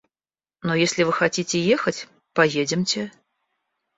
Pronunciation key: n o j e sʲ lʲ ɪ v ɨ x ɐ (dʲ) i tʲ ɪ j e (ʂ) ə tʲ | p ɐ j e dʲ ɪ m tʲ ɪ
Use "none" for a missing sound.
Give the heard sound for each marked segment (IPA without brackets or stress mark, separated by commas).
tʲ, x